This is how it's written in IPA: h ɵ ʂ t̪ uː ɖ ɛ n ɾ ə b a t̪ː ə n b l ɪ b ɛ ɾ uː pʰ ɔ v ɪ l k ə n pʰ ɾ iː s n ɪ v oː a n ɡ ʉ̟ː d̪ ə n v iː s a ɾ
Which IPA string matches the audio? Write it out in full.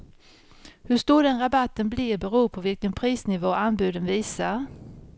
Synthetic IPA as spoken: h ɵ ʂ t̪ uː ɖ ɛ n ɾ a b a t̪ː ə n b l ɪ b ɛ ɾ uː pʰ ɔ v ɪ l k ə n pʰ ɾ iː s n ɪ v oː a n b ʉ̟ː d̪ ə n v iː s a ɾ